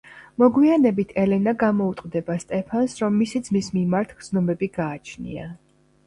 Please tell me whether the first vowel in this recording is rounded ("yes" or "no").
yes